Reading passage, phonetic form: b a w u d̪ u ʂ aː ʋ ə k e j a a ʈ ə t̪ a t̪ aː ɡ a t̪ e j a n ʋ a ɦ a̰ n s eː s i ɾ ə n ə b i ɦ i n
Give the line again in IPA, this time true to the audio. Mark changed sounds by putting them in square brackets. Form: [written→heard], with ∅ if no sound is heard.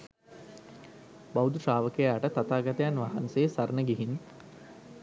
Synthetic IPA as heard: b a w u d̪ u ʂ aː ʋ ə k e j a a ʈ ə t̪ a t̪ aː ɡ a t̪ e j a n ʋ a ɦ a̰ n s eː s [i→a] ɾ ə n ə [b→ɡ] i ɦ i n